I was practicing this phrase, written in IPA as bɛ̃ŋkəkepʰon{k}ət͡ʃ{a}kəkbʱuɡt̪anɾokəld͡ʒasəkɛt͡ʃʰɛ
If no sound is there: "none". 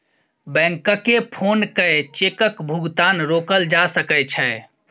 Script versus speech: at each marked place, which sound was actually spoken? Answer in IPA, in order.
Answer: k, e

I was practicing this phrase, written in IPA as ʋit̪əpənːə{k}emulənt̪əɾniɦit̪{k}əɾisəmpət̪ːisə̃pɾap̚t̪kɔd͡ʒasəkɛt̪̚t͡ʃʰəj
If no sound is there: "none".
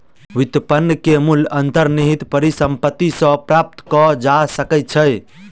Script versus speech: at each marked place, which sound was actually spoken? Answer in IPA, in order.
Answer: k, p

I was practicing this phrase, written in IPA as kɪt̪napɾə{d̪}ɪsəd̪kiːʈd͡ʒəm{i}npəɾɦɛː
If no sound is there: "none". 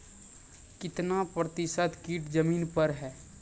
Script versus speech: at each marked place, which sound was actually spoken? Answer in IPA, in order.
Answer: t̪, iː

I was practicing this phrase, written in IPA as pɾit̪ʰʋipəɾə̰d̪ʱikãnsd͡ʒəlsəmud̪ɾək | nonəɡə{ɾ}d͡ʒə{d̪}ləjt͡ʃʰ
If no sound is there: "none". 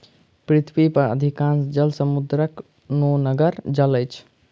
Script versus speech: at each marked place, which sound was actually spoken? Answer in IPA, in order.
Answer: ɾ, none

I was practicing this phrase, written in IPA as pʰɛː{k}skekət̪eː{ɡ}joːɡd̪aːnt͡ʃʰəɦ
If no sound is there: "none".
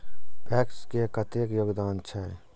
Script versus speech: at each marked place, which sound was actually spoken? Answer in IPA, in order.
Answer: k, k

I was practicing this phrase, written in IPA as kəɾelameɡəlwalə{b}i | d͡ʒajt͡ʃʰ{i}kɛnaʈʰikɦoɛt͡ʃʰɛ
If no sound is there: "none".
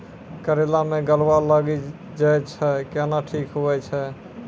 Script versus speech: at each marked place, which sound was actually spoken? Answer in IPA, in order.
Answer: ɡ, ɛ

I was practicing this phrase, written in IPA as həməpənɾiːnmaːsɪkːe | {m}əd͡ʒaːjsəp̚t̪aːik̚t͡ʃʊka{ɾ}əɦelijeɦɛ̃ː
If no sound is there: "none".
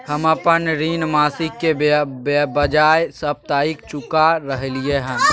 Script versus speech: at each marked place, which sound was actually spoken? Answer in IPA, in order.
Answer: b, ɾ

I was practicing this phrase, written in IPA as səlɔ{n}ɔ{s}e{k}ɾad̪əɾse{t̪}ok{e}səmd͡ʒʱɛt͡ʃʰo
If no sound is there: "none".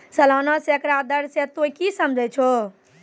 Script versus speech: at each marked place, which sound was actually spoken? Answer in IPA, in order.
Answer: n, s, k, t̪, i

